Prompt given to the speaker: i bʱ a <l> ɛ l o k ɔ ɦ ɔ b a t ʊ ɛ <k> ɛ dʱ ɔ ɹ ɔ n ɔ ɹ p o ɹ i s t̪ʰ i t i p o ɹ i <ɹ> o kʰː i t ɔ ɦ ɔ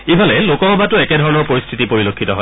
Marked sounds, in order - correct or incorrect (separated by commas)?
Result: correct, correct, incorrect